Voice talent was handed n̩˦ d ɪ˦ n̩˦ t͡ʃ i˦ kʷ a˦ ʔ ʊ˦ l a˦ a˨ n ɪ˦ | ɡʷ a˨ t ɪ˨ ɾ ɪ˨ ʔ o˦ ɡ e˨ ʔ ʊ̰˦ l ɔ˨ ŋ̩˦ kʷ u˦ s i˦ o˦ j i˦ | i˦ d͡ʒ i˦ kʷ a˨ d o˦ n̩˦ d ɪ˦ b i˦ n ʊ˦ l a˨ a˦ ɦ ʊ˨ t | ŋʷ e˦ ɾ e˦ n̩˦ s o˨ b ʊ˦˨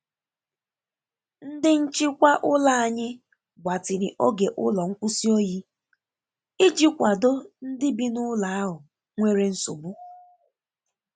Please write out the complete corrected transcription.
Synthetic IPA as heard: n̩˦ d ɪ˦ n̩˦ t͡ʃ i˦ kʷ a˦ ʔ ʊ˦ l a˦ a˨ ɲ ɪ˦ | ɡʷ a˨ t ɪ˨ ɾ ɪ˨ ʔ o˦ ɡ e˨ ʔ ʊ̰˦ l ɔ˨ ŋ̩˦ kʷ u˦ s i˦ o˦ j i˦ | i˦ d͡ʒ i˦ kʷ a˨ d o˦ n̩˦ d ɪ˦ b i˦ n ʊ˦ l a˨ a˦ ɦ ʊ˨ | ŋʷ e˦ ɾ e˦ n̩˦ s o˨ b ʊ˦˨